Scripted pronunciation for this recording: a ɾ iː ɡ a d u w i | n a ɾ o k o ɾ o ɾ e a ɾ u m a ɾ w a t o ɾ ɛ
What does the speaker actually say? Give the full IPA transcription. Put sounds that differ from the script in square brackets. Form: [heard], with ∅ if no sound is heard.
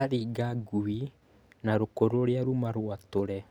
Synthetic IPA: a ɾ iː ɡ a [ɡ] u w i | n a ɾ o k o ɾ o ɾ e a ɾ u m a ɾ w a t o ɾ ɛ